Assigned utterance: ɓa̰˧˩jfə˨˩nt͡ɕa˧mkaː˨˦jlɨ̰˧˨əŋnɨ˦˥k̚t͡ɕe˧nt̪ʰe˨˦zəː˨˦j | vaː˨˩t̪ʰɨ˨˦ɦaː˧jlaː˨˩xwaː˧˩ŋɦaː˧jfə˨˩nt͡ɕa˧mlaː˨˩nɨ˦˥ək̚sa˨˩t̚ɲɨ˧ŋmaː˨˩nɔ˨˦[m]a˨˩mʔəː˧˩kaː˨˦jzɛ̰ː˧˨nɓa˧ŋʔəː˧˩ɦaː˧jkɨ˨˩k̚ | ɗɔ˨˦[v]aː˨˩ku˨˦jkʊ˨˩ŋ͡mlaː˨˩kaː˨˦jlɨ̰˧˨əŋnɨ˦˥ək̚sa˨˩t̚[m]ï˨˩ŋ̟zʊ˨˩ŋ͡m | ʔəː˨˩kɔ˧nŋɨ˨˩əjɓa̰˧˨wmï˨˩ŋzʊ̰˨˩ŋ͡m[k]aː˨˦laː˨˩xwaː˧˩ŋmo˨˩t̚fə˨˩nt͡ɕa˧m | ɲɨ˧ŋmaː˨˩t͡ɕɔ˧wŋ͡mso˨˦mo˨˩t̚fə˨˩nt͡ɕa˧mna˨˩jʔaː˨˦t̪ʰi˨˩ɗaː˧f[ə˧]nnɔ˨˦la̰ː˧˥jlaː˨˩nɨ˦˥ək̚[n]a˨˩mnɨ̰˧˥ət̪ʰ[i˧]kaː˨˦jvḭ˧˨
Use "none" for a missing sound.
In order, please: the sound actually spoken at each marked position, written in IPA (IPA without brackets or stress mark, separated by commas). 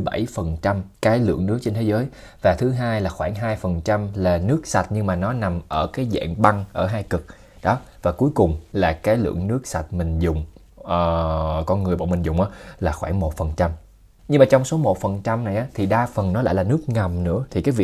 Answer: n, v, m, ʔ, ə˨˩, ŋ, i˨˩